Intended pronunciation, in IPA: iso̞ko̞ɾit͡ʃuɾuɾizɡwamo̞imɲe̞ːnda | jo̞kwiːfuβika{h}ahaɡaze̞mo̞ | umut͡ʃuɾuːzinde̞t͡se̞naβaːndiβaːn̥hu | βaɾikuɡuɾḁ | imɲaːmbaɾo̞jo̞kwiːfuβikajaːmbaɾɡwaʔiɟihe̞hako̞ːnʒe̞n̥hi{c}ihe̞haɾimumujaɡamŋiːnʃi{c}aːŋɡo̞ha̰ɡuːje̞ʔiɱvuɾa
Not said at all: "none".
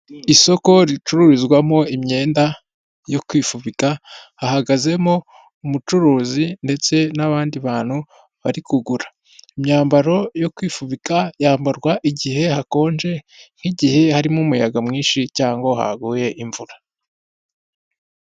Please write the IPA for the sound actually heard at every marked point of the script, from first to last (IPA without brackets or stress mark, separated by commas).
h, ɟ, c